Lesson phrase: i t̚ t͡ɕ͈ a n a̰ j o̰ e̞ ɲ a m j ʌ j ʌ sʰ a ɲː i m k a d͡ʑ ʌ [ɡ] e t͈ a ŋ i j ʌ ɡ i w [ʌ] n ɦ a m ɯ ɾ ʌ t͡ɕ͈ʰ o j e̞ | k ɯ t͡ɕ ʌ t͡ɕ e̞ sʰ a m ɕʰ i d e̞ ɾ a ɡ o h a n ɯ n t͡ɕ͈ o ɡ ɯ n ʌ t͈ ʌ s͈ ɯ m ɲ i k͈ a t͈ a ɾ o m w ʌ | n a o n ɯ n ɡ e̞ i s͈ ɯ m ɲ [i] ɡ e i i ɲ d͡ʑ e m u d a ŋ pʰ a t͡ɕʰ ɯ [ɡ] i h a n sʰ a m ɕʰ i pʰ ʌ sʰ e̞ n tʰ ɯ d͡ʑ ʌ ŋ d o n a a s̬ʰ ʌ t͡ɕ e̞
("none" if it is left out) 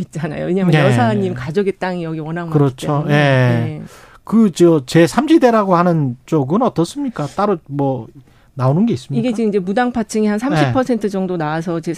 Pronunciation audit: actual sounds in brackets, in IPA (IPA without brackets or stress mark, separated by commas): ɡ, ʌ, i, ŋ